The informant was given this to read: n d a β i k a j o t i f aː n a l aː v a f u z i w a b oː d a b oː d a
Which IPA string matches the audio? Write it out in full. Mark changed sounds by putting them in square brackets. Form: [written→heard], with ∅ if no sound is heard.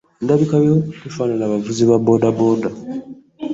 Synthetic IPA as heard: n d a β i k a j o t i f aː n a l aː [v→β] a [f→v] u z i [w→β] a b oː d a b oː d a